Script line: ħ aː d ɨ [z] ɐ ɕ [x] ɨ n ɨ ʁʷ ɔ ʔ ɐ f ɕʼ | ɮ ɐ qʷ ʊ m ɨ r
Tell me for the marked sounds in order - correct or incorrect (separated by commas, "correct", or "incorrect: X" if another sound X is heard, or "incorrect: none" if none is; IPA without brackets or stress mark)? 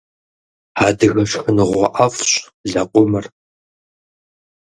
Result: incorrect: ɣ, correct